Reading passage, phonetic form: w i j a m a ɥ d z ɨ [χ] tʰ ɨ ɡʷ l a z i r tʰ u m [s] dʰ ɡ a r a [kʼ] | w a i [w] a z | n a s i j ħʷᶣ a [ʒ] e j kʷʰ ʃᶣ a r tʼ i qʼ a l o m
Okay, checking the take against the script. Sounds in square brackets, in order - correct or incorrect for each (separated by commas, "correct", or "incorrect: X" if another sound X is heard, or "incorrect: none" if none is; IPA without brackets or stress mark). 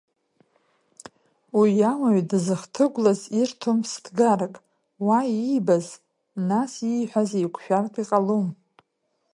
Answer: correct, correct, correct, incorrect: b, incorrect: z